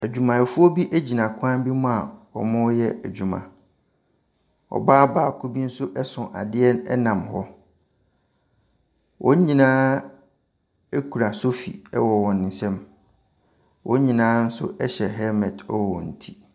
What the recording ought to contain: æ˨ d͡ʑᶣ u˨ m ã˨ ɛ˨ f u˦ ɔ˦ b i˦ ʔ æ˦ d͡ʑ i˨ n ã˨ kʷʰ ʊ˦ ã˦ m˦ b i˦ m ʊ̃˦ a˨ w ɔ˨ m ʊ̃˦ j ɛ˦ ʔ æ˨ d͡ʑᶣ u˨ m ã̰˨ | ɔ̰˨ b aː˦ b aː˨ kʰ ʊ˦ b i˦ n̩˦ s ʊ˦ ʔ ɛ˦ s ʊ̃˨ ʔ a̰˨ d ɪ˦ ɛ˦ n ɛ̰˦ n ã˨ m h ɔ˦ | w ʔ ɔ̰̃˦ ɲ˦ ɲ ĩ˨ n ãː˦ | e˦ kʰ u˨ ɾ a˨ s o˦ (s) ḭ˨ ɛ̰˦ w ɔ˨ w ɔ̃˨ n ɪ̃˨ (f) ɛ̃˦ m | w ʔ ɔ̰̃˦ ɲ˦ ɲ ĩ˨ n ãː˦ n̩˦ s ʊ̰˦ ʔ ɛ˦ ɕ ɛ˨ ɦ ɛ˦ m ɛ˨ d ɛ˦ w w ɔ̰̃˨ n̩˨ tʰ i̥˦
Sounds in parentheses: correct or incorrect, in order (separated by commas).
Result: incorrect, incorrect